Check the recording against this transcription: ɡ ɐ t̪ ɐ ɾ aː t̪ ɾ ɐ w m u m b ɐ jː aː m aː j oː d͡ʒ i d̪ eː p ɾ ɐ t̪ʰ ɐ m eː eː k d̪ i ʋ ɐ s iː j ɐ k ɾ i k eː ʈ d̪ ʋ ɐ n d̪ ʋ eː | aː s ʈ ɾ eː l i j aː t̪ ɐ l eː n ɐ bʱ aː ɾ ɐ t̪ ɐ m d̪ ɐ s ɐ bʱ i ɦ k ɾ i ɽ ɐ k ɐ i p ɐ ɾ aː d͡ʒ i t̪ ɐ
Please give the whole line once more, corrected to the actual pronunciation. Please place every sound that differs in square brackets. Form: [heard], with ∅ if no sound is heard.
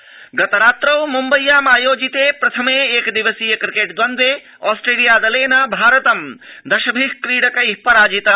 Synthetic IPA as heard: ɡ ɐ t̪ ɐ ɾ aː t̪ ɾ ɐ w m u m b ɐ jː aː m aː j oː d͡ʒ i [t̪] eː p ɾ ɐ t̪ʰ ɐ m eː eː k d̪ i ʋ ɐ s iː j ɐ k ɾ i k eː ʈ d̪ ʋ ɐ n d̪ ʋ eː | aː s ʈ ɾ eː l i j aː [d̪] ɐ l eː n ɐ bʱ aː ɾ ɐ t̪ ɐ m d̪ ɐ [ʃ] ɐ bʱ i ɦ k ɾ [iː] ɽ ɐ k ɐ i p ɐ ɾ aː d͡ʒ i t̪ ɐ